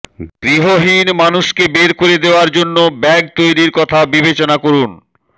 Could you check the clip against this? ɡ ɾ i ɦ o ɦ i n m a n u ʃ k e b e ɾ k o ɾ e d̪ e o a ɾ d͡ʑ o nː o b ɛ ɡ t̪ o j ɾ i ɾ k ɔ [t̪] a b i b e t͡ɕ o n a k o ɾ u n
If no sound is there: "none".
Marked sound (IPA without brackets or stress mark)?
t̪ʰ